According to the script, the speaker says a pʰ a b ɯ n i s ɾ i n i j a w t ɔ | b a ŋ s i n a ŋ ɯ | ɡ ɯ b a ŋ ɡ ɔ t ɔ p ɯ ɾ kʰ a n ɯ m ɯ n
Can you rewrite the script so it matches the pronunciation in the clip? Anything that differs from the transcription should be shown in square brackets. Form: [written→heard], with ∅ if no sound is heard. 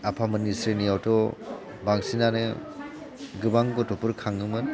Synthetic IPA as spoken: a pʰ a [b→m] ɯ n i s ɾ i n i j a w t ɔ | b a ŋ s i n a [ŋ→n] ɯ | ɡ ɯ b a ŋ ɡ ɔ t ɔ p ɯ ɾ kʰ a [n→ŋ] ɯ m ɯ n